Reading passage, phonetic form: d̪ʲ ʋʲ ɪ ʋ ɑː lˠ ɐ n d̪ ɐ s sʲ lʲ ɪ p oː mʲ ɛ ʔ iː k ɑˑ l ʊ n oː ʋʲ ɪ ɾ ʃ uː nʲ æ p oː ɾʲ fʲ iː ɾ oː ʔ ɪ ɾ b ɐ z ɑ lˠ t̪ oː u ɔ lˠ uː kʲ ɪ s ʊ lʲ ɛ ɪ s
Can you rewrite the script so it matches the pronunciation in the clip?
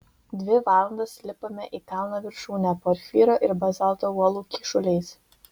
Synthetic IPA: d̪ʲ ʋʲ ɪ ʋ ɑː lˠ ɐ n d̪ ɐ s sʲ lʲ ɪ p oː mʲ ɛ ʔ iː k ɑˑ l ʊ n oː ʋʲ ɪ ɾ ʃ uː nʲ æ p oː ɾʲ fʲ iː ɾ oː ʔ ɪ ɾ b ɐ z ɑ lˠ t̪ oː u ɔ lˠ uː kʲ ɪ ʃ ʊ lʲ ɛ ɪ s